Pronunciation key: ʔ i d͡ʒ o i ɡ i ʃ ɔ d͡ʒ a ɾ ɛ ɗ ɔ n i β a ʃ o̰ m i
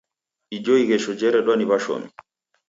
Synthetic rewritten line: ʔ i d͡ʒ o i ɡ ɛ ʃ ɔ d͡ʒ ɛ ɾ ɛ ɗ ɔ n i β a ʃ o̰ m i